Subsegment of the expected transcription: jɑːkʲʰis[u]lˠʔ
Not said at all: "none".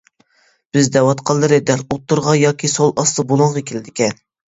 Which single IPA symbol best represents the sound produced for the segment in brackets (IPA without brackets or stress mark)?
o